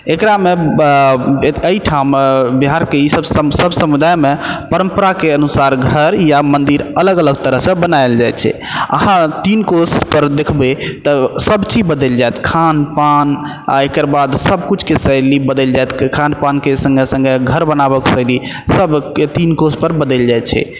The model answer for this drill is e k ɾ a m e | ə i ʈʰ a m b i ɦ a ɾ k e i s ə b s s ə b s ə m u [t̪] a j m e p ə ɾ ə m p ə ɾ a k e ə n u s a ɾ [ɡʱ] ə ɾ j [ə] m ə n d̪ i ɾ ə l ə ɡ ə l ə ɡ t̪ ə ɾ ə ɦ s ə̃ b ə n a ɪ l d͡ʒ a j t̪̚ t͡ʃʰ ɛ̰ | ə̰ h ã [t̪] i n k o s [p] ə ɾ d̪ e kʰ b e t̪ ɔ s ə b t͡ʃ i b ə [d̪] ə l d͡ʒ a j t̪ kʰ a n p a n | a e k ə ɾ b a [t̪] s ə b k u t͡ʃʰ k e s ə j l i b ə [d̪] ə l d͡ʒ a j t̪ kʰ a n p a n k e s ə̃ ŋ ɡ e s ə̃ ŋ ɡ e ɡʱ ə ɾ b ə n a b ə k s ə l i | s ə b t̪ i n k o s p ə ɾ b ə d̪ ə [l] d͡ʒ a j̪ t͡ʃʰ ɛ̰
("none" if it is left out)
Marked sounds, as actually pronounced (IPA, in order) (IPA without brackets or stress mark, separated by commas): d̪, ɡʱ, a, t̪, p, d̪, d̪, d̪, l